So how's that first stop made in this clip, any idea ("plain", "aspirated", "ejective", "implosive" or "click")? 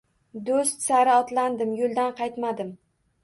plain